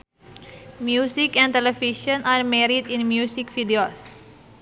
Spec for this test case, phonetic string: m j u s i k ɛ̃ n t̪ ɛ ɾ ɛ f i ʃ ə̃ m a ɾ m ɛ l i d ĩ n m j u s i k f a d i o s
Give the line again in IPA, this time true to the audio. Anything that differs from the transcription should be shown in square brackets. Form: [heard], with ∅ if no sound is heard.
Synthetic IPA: m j u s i k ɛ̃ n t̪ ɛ [l] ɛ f i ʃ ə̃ [n] a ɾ m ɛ [ɾ] i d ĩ n m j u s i k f [i] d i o s